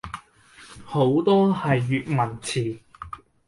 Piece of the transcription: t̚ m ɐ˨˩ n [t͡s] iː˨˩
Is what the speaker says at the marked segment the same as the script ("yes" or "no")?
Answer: no